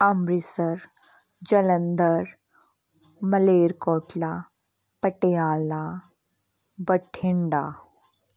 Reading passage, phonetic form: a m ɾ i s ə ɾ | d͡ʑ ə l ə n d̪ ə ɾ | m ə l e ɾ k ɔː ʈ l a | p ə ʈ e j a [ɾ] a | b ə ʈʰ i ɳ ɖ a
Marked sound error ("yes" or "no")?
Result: yes